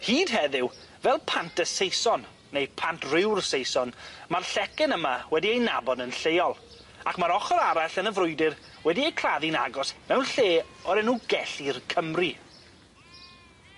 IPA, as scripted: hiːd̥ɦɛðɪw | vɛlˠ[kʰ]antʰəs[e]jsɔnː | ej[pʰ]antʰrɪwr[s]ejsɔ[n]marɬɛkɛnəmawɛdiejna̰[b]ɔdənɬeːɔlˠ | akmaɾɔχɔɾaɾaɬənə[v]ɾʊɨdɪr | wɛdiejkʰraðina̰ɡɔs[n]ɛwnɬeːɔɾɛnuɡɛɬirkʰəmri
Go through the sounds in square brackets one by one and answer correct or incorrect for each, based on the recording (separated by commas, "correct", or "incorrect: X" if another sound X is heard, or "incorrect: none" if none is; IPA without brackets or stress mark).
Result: incorrect: pʰ, correct, correct, correct, correct, correct, correct, incorrect: m